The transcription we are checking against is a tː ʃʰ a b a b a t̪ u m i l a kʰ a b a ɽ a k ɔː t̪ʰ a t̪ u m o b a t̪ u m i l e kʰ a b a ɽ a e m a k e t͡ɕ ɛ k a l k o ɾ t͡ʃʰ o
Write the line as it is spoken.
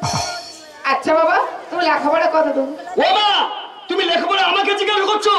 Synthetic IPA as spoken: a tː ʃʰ a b a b a t̪ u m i l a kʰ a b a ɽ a k ɔ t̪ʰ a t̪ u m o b a t̪ u m i l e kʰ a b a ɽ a a m a k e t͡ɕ i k a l k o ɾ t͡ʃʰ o